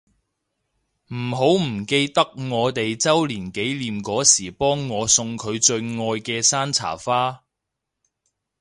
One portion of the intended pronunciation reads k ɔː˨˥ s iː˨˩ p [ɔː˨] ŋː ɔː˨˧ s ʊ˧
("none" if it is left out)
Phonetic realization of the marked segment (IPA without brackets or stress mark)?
ɔː˥